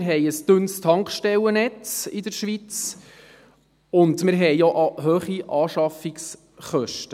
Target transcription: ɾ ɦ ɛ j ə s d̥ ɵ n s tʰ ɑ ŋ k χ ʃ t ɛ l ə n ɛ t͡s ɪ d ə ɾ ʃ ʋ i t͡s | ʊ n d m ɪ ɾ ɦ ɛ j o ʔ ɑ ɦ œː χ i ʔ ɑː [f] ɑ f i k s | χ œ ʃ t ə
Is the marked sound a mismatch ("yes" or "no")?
yes